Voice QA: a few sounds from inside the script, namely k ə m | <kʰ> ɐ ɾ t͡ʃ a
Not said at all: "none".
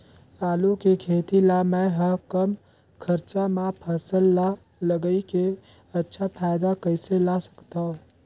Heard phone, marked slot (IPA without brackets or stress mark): kʰ